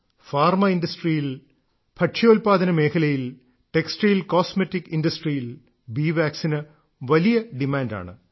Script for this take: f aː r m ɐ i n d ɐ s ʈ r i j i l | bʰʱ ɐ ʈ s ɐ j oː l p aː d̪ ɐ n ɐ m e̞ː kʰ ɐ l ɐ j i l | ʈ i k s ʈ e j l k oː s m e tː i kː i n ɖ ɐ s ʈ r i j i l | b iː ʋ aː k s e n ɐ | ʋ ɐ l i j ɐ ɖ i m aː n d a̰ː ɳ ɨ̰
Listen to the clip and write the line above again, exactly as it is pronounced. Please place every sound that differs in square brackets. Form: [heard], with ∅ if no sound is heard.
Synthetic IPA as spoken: f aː r m ɐ i n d ɐ s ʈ r i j i l | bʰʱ ɐ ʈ [ʂ] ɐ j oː l p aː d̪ ɐ n ɐ m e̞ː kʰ ɐ l ɐ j i l | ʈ [e] k s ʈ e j l k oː s m e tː i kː i n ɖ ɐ s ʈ r i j i l | b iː ʋ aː k s [i] n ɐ | ʋ ɐ l i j ɐ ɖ i m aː n d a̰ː ɳ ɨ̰